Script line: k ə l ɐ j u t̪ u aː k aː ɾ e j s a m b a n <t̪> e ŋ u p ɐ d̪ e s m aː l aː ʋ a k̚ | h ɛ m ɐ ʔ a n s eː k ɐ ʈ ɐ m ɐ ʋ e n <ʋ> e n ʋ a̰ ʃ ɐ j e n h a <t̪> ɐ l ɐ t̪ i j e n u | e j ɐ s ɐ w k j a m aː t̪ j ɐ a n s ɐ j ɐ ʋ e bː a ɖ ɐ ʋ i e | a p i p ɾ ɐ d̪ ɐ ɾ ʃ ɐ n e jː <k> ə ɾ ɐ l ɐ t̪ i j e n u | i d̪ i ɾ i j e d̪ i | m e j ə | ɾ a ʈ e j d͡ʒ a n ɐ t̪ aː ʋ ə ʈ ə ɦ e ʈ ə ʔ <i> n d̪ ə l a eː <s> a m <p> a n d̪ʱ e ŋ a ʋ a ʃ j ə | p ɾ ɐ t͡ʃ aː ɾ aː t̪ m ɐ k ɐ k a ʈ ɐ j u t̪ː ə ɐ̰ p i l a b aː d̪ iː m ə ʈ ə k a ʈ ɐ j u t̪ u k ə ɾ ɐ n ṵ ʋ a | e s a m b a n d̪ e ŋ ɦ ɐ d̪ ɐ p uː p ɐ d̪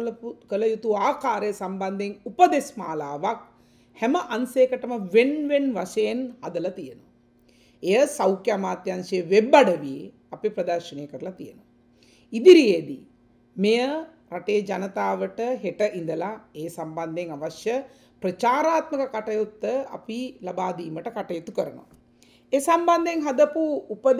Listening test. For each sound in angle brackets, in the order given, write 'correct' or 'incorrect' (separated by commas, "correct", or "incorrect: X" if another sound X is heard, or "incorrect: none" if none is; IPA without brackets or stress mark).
incorrect: d̪, correct, incorrect: d̪, correct, correct, correct, incorrect: b